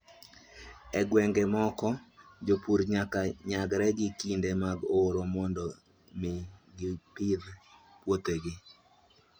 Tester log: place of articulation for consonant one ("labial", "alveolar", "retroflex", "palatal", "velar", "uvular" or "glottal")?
velar